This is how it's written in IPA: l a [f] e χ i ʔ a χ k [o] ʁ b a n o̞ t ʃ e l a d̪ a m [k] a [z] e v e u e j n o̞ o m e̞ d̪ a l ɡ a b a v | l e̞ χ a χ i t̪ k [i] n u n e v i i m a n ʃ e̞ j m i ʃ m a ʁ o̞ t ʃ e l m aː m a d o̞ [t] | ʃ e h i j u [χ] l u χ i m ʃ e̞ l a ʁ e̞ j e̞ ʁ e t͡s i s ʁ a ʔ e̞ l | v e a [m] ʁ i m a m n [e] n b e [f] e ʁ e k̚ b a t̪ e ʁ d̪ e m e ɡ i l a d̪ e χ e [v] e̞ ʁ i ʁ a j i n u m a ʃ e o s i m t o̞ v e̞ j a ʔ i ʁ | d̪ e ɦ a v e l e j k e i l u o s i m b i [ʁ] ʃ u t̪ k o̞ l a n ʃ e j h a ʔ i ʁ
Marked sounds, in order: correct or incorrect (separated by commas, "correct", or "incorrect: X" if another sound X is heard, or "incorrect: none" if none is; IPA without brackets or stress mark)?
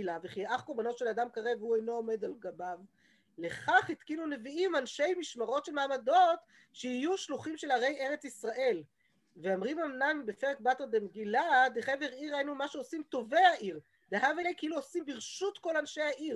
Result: incorrect: v, correct, correct, incorrect: ʁ, correct, correct, incorrect: ʃ, correct, incorrect: a, correct, correct, correct